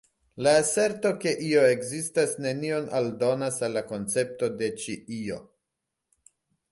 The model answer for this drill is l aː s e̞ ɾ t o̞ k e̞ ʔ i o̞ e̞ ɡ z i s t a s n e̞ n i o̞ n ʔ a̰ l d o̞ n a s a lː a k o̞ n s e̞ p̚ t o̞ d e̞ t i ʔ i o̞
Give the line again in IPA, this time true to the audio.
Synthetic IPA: l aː s e̞ ɾ t o̞ k e̞ ʔ i o̞ e̞ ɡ z i s t a s n e̞ n i o̞ n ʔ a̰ l d o̞ n a s a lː a k o̞ n t͡s e̞ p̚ t o̞ d e̞ t͡ʃ i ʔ i o̞